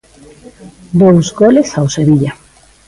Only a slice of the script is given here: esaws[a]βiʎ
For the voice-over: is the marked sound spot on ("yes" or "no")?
no